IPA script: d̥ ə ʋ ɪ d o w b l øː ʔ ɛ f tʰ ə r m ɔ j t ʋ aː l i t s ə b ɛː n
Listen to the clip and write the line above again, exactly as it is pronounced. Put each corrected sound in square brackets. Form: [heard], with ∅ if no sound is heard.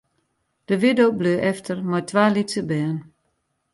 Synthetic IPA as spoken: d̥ ə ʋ ɪ d o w b l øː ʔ ɛ f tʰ ə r m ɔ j t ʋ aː l i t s ə b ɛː n